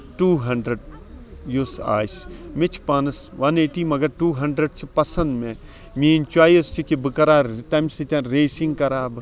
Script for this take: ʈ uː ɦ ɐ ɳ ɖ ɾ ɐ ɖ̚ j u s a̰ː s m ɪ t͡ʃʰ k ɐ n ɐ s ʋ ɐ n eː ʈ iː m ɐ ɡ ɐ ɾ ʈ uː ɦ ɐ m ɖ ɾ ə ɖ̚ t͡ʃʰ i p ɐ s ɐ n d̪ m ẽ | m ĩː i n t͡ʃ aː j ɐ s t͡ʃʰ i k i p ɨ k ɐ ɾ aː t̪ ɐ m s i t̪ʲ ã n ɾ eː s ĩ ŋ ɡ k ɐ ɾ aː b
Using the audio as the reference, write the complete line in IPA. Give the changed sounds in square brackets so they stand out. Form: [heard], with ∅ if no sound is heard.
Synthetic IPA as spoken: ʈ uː ɦ ɐ ɳ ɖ ɾ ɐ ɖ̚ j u s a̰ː s m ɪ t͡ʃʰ [p] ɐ n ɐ s ʋ ɐ n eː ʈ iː m ɐ ɡ ɐ ɾ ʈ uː ɦ ɐ [ɳ] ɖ ɾ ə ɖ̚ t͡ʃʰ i p ɐ s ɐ n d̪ m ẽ | m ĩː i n t͡ʃ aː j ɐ s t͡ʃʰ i k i [b] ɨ k ɐ ɾ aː t̪ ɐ m s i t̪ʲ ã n ɾ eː s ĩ ŋ ɡ k ɐ ɾ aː b